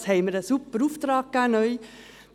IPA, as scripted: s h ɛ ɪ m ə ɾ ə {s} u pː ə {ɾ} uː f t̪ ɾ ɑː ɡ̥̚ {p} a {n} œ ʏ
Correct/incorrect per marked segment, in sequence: correct, correct, incorrect: k, correct

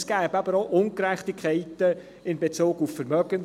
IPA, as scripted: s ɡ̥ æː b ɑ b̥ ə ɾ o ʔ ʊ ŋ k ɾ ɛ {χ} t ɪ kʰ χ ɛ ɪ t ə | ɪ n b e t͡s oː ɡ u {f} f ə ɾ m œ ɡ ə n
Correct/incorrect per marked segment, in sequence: correct, correct

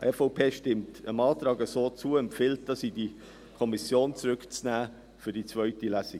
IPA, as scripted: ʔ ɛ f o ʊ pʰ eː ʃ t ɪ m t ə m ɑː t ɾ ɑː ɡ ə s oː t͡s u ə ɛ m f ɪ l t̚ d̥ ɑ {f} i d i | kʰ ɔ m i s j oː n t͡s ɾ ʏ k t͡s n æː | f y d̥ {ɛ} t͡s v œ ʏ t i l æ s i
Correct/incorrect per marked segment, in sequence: incorrect: s, incorrect: i

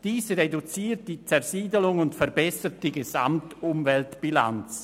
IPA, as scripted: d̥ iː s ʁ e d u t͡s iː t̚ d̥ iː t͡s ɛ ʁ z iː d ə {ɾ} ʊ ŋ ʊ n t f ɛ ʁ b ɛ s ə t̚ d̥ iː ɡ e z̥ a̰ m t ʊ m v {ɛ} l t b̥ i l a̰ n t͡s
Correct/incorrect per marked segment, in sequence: incorrect: l, correct

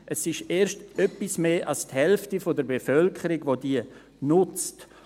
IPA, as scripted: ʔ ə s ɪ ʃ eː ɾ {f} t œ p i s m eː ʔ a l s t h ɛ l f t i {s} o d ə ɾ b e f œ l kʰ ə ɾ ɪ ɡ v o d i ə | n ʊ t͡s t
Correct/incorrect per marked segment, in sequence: incorrect: ʃ, incorrect: f

